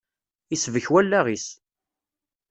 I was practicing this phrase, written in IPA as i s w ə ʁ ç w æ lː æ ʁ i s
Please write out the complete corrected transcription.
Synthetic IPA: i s v ə ç w æ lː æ ʁ i s